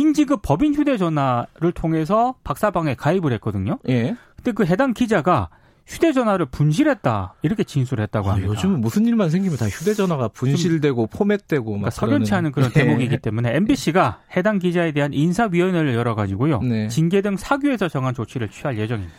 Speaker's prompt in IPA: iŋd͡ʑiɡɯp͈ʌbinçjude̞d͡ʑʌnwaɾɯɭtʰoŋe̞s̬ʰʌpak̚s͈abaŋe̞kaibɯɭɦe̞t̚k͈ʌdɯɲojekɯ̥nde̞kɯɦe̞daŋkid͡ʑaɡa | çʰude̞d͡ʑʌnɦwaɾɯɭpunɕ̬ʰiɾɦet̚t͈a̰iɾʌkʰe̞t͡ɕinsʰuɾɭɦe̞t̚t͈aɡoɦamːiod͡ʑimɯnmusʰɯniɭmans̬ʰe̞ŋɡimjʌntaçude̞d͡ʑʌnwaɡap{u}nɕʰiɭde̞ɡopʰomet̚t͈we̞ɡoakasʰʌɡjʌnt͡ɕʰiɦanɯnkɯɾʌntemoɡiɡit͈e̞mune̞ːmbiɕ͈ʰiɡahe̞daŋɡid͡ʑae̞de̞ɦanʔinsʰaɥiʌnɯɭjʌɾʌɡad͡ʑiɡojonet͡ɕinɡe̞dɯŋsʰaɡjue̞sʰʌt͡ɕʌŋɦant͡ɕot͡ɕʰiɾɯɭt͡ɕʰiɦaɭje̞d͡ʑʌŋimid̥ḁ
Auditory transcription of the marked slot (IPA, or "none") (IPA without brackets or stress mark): u